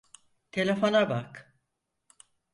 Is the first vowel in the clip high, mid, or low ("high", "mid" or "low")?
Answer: mid